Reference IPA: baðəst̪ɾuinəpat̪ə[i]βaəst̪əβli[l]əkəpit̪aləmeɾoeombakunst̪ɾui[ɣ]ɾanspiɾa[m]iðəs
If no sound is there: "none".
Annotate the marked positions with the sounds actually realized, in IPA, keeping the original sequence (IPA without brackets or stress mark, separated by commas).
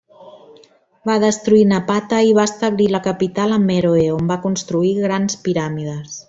i, l, ɣ, m